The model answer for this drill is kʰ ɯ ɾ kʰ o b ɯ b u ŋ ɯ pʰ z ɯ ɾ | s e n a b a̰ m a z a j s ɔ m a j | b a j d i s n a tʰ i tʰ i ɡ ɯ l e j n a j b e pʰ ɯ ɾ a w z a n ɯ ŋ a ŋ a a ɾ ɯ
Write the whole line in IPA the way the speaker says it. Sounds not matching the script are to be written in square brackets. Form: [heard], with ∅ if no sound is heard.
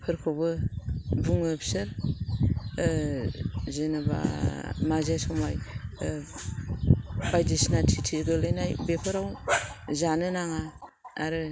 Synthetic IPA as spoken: [pʰ] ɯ ɾ kʰ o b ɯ b u ŋ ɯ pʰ [s] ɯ ɾ | [z] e n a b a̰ m a z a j s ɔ m a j | b a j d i s n a tʰ i tʰ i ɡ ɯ l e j n a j b e pʰ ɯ ɾ a w z a n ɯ [n] a ŋ a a ɾ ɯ